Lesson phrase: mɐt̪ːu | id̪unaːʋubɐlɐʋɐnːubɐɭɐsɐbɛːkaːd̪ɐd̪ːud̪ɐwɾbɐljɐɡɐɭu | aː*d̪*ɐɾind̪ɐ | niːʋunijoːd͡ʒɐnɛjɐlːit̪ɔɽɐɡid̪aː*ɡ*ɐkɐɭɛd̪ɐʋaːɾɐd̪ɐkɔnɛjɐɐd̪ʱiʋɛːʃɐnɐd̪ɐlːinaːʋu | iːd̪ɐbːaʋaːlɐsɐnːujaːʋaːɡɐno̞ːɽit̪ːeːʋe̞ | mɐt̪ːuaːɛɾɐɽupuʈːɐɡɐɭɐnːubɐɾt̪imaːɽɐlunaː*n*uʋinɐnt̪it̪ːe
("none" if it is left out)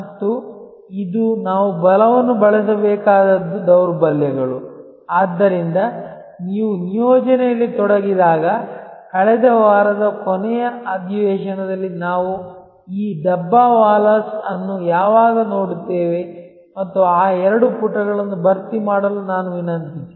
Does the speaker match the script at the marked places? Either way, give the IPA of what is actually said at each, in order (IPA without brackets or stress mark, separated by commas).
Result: d̪ː, ɡ, n